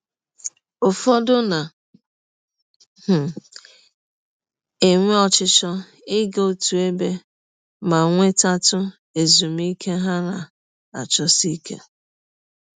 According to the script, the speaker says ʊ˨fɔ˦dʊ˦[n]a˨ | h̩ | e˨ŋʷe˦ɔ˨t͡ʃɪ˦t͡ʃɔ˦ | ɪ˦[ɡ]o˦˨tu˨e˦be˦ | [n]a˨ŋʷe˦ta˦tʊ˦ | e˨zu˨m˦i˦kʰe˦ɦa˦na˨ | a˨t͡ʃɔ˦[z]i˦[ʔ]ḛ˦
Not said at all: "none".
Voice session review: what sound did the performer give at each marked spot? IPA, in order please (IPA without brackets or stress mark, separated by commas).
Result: n, ɡ, m, s, k